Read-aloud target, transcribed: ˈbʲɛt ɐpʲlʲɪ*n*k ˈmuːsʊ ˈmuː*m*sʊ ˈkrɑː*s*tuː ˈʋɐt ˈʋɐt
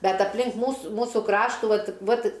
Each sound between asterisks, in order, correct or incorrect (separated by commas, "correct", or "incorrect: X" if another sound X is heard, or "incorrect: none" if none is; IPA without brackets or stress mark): incorrect: ŋ, incorrect: none, incorrect: ʃ